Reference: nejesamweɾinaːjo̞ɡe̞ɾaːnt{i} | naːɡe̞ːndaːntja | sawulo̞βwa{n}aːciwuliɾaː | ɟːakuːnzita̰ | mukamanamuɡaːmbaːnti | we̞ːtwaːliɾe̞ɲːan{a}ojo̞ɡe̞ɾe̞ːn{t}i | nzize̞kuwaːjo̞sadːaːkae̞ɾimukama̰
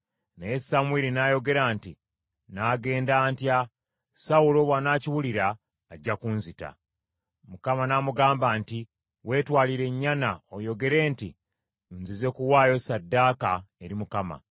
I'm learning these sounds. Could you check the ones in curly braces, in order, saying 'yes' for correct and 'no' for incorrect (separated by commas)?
yes, yes, yes, yes